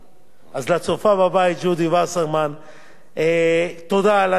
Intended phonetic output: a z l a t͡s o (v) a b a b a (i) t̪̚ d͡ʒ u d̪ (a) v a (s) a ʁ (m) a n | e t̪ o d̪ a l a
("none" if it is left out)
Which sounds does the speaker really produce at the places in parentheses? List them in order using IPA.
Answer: f, i, i, s, m

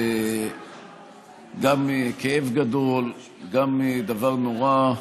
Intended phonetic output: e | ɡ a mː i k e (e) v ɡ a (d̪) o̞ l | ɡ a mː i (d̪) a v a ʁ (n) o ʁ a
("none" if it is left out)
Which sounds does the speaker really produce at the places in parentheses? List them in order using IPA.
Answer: e, d̪, d̪, n

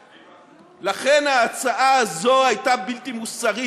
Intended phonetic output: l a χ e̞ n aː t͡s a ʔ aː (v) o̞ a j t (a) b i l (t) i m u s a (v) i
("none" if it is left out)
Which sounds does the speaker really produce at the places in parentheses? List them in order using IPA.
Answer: z, a, t, ʁ

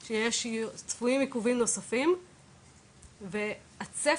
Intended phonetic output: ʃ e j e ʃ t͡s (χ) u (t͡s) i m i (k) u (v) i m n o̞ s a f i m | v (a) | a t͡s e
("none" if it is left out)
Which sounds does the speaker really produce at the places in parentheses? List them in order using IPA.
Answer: f, none, k, v, e

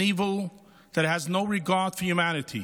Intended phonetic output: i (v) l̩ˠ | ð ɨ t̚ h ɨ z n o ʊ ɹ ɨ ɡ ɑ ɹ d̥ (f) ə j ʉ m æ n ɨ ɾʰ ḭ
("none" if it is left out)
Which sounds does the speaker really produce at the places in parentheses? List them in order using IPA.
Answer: v, f

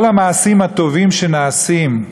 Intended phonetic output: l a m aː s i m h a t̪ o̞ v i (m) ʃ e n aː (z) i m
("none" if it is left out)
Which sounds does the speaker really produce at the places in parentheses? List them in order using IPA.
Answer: m, s

